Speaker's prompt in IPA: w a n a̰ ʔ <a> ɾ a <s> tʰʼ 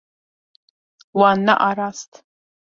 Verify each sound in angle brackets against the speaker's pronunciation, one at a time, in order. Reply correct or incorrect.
correct, correct

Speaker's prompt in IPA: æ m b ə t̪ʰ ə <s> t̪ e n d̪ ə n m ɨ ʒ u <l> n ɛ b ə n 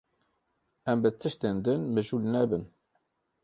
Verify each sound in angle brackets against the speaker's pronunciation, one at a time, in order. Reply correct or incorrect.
incorrect: ʃ, correct

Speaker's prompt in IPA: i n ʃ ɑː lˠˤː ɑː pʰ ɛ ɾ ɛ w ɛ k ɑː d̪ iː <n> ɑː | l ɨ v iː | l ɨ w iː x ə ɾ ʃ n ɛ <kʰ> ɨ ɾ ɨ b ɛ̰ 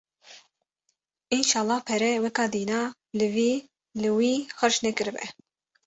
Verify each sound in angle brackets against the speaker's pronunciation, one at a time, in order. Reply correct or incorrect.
correct, incorrect: k

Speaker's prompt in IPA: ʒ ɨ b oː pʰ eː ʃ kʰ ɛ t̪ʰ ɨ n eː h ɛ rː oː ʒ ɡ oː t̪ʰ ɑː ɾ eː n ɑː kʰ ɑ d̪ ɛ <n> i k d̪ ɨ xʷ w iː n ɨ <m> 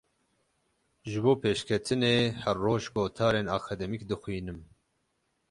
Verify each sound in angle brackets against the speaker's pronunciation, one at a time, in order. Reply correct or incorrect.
incorrect: m, correct

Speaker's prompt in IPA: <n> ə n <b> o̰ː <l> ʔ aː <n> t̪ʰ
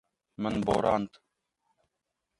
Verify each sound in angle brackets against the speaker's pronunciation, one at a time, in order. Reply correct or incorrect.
incorrect: m, correct, incorrect: ɾ, correct

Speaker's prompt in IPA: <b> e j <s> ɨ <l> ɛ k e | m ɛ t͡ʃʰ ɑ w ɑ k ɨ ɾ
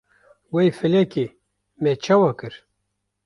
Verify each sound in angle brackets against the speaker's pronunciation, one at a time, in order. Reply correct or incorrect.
incorrect: w, incorrect: f, correct

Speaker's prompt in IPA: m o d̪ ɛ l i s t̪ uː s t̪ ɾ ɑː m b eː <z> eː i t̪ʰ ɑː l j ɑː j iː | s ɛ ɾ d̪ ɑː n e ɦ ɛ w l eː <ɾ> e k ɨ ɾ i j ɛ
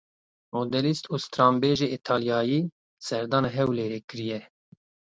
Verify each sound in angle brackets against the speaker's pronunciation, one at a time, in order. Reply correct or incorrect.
incorrect: ʒ, correct

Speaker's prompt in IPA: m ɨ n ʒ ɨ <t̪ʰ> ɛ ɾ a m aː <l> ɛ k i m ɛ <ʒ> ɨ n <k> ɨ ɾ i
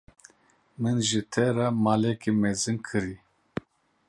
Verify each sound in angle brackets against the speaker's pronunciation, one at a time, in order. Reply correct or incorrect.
correct, correct, incorrect: z, incorrect: kʰ

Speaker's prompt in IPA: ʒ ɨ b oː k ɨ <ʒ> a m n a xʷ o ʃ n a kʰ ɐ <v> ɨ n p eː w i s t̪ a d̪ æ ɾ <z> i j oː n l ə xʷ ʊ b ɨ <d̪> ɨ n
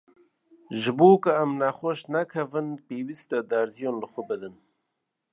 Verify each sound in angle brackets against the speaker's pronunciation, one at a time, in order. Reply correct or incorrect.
incorrect: none, correct, correct, correct

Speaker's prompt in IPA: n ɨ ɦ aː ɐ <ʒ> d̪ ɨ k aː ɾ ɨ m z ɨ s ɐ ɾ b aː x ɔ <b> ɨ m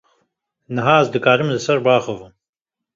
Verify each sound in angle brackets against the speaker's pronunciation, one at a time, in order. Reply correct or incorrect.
incorrect: z, incorrect: v

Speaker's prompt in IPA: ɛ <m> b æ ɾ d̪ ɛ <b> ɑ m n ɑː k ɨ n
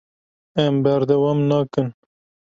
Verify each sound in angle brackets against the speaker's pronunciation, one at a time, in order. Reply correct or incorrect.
correct, incorrect: w

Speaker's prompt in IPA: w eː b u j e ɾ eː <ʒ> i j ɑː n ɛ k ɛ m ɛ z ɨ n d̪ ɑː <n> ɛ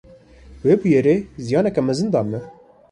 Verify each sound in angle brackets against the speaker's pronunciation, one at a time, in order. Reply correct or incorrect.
incorrect: z, incorrect: m

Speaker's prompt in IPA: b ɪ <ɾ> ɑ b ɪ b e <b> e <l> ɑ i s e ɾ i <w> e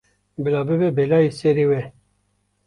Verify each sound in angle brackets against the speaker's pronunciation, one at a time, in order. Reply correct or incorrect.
incorrect: l, correct, correct, correct

